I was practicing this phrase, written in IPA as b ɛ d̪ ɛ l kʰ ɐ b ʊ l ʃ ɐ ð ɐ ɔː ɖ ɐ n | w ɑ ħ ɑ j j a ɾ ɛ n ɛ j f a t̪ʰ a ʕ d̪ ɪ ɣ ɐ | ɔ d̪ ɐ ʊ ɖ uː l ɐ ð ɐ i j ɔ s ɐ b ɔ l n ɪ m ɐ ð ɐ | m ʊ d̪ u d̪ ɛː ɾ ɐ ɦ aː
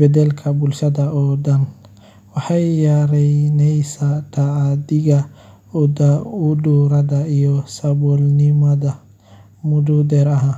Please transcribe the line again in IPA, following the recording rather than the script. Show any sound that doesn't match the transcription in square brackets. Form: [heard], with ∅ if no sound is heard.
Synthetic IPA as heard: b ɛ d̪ ɛ l kʰ ɐ b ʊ l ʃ ɐ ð ɐ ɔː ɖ ɐ n | w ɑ ħ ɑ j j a ɾ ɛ n ɛ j [s] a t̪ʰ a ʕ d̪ ɪ ɣ ɐ | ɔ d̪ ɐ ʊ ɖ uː [ɾ] ɐ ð ɐ i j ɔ s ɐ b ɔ l n ɪ m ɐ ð ɐ | m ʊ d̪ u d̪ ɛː ɾ ɐ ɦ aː